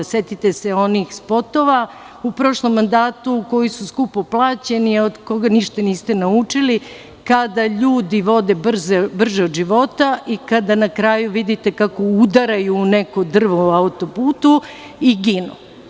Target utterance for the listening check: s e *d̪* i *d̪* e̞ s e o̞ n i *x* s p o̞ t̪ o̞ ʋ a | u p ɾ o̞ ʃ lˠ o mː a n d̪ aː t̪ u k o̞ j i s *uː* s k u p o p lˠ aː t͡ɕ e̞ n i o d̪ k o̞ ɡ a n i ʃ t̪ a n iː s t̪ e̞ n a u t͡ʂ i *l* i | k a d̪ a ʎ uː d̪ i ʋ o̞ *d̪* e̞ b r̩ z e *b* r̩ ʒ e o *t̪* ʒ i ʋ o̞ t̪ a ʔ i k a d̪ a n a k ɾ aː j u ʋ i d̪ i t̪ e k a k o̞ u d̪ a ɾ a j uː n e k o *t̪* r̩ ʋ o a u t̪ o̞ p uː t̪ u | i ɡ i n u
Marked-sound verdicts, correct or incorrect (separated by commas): incorrect, incorrect, correct, incorrect, correct, correct, correct, incorrect, incorrect